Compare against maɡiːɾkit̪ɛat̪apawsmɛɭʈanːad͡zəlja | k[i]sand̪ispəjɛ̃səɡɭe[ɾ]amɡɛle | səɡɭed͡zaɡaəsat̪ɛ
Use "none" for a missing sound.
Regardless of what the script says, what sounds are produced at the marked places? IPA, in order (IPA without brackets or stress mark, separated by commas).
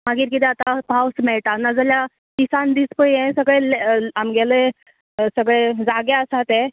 i, l